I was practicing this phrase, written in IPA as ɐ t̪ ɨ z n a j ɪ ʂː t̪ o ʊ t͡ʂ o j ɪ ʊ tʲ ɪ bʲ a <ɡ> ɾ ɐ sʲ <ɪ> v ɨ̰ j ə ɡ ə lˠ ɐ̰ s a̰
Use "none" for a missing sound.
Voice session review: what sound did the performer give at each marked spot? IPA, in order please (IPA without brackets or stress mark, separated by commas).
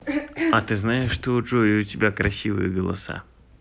k, i